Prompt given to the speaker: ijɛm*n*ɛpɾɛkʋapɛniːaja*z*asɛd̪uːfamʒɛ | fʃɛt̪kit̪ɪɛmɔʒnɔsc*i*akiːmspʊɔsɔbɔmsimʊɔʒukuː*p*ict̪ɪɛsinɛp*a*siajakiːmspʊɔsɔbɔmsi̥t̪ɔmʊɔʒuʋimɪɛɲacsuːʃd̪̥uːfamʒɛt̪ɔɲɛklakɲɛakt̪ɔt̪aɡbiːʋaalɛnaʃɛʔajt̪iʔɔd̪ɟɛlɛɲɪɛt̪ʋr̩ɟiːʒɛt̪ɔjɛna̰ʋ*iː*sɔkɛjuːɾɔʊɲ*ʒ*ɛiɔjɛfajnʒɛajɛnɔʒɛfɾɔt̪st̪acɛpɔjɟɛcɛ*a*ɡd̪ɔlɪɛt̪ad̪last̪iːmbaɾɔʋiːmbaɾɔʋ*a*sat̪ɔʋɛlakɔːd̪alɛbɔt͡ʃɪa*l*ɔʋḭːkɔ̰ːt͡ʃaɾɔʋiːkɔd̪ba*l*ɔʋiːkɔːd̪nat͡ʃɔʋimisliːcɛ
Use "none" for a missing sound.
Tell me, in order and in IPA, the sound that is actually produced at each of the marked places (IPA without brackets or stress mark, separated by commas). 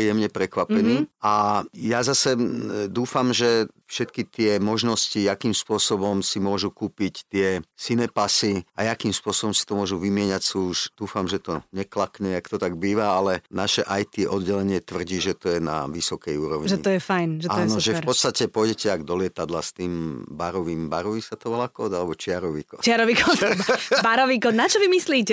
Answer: ɲ, z, i, p, a, i, ʒ, a, i, ɾ, ɾ